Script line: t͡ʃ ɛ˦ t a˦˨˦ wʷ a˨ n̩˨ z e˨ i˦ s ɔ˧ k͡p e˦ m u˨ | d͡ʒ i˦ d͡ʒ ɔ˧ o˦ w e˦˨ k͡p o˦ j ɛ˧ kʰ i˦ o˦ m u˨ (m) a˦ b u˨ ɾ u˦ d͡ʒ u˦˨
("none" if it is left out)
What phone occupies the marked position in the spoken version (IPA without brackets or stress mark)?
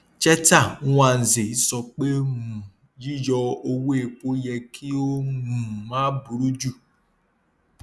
m